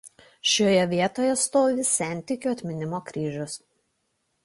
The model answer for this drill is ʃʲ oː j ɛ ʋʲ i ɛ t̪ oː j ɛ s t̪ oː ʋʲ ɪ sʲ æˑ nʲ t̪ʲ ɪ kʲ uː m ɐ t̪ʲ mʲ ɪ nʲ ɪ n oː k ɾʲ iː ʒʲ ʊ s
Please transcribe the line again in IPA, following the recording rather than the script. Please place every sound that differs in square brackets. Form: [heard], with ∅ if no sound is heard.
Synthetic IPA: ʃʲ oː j ɛ ʋʲ i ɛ t̪ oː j ɛ s t̪ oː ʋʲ ɪ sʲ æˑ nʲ t̪ʲ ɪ kʲ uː [∅] ɐ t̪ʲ mʲ ɪ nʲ ɪ [m] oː k ɾʲ iː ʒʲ ʊ s